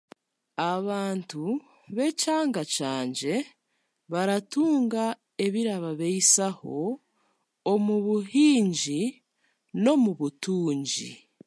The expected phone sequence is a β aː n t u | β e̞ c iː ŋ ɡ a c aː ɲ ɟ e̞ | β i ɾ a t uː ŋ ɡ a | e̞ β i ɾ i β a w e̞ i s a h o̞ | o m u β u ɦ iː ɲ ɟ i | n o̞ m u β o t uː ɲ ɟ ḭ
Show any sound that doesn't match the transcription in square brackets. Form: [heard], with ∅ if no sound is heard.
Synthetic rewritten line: a β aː n t u | β e̞ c [aː] ŋ ɡ a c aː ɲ ɟ e̞ | β [a] ɾ a t uː ŋ ɡ a | e̞ β i ɾ [a] β a [β] e̞ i s a h o̞ | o m u β u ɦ iː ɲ ɟ i | n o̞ m u β [u] t uː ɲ ɟ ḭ

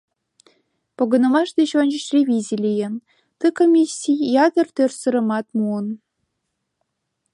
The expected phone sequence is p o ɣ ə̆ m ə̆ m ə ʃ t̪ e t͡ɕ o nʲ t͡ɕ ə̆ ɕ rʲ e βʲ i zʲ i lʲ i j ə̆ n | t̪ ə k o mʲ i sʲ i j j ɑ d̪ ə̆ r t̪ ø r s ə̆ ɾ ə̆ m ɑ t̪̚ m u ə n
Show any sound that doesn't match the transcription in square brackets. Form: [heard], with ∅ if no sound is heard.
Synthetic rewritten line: p o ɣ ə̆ [n] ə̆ m [ɑ] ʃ [d̪] e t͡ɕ o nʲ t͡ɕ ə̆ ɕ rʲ e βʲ i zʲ i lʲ i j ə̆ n | t̪ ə k o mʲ i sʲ i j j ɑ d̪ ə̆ r t̪ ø r s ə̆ ɾ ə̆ m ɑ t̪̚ m u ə n

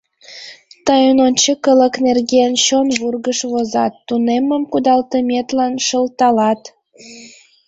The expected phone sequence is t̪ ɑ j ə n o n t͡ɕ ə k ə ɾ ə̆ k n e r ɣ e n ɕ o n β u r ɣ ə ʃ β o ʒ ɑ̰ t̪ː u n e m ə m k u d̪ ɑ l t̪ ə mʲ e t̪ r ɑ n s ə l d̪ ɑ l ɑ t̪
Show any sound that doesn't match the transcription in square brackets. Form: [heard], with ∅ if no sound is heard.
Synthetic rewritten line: t̪ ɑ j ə n o n t͡ɕ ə k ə [l] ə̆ k n e r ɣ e n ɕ o n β u r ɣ ə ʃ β o [z] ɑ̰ t̪ː u n e m ə m k u d̪ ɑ l t̪ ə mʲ e t̪ [l] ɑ n [ʃ] ə l [t̪] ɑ l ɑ t̪

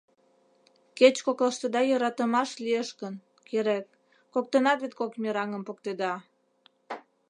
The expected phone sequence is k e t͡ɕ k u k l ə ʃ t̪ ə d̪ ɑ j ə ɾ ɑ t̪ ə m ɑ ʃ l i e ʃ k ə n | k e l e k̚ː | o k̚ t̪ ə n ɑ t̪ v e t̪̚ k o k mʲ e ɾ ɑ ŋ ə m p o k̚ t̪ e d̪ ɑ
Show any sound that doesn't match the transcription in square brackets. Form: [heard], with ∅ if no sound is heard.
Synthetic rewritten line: k e t͡ɕ k [o] k l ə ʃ t̪ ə d̪ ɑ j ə ɾ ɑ t̪ ə m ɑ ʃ l i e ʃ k ə n | k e [ɾ] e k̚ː | o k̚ t̪ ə n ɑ t̪ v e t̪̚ k o k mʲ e ɾ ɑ ŋ ə m p o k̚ t̪ e d̪ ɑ

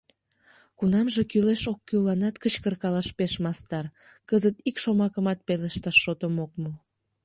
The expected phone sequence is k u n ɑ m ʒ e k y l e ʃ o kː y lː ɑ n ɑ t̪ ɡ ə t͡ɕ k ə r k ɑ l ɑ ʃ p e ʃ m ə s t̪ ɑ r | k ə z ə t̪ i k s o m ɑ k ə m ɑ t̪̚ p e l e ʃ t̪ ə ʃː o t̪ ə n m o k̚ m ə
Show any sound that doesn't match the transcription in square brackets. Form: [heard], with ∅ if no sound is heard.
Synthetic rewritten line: k u n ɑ m ʒ e k y l e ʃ o kː y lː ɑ n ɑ t̪ [k] ə t͡ɕ k ə r k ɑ l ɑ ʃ p e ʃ m [ɑ] s t̪ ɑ r | k ə z ə t̪ i k [ʃ] o m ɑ k ə m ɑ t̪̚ p e l e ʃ t̪ [ɑ] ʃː o t̪ ə [∅] m o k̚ m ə

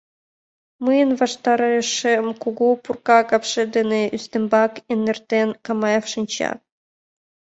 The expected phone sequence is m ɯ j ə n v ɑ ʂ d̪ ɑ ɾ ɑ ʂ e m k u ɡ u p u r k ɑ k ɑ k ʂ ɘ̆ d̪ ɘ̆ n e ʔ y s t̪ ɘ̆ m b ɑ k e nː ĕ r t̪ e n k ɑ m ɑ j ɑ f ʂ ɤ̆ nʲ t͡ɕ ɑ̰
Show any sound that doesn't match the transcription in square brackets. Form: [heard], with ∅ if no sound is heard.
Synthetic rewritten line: m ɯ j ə n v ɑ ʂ [t̪] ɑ ɾ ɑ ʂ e m k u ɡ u p u r k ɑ k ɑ [p] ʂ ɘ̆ d̪ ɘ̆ n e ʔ y s t̪ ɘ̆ m b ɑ k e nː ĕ r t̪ e n k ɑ m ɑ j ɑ f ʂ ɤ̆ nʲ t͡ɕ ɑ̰

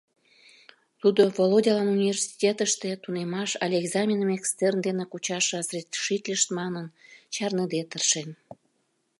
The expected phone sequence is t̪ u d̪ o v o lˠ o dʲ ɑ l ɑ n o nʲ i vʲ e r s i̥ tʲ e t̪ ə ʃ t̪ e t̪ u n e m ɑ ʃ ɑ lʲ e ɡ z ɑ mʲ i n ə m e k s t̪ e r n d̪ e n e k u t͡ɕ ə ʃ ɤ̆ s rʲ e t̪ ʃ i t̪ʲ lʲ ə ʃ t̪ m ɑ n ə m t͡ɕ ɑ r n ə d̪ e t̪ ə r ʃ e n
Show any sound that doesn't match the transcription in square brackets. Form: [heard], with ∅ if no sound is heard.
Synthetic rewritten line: t̪ u d̪ o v o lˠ o dʲ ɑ l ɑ n [u] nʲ i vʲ e r s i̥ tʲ e t̪ ə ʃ t̪ e t̪ u n e m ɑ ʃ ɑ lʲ e ɡ z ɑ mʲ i n ə m e k s t̪ e r n d̪ e n e k u t͡ɕ [ɑ] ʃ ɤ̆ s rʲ e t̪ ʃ i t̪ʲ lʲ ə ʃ t̪ m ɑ n ə [n] t͡ɕ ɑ r n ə d̪ e t̪ ə r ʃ e n

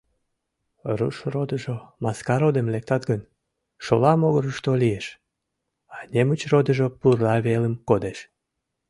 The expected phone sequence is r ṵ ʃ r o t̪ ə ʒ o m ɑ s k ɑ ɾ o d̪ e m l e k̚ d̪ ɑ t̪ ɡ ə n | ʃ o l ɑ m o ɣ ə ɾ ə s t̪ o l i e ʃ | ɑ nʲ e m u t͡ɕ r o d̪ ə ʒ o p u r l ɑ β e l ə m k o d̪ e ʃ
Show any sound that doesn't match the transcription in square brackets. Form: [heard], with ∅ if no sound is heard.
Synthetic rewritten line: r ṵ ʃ r o [d̪] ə ʒ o m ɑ s k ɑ ɾ o d̪ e m l e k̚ [t̪] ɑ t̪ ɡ ə n | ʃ o l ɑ m o ɣ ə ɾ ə [ʃ] t̪ o l i e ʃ | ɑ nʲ e m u t͡ɕ r o d̪ ə ʒ o p u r l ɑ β e l ə m k o d̪ e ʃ

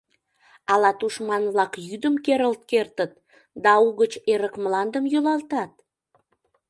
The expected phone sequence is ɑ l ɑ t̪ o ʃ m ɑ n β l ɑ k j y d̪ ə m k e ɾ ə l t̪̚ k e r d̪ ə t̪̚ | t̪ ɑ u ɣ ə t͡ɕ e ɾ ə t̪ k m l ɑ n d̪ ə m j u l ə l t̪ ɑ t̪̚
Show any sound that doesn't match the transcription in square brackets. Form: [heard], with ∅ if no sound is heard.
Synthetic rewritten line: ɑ l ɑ t̪ [u] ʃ m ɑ n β l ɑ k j y d̪ ə m k e ɾ ə l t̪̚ k e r [t̪] ə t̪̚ | [d̪] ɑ u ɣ ə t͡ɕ e ɾ ə [∅] k m l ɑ n d̪ ə m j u l [ɑ] l t̪ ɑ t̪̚

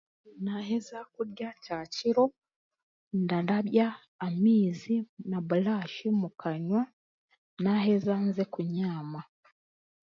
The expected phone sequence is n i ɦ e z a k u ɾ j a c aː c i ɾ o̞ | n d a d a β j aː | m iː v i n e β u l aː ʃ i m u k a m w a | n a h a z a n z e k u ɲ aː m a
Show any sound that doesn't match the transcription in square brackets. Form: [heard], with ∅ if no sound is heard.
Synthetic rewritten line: n [a] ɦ e z a k u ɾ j a c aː c i ɾ o̞ | n d a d a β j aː | m iː [z] i n [a] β u l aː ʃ i m u k a [ɲ] w a | n a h [e] z a n z e k u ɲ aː m a

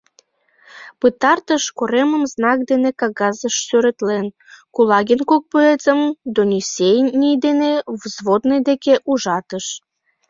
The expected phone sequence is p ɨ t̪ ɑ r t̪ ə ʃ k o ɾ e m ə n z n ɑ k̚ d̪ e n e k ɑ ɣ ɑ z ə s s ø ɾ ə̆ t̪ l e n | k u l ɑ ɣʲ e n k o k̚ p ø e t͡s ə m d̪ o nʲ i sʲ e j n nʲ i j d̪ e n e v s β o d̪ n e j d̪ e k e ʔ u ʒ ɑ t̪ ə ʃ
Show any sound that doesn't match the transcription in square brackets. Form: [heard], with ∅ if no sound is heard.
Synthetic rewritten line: p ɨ t̪ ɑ r t̪ ə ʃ k o ɾ e m ə [m] z n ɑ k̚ d̪ e n e k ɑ ɣ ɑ z ə [ʃ] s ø ɾ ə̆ t̪ l e n | k u l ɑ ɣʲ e n k o k̚ p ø e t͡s ə m d̪ o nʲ i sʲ e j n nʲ i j d̪ e n e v [z] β o d̪ n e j d̪ e k e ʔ u ʒ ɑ t̪ ə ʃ

